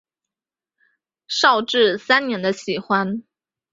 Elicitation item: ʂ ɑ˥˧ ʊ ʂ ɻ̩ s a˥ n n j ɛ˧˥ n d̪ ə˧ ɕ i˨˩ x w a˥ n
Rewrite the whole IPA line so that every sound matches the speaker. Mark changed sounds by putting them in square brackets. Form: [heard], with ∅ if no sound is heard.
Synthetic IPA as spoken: ʂ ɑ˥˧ ʊ [ʈ͡ʂ] ɻ̩ s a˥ n n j ɛ˧˥ n d̪ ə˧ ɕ i˨˩ x w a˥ n